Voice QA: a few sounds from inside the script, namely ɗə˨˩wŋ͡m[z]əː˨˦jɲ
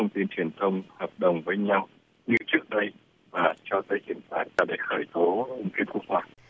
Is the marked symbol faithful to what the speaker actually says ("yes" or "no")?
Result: no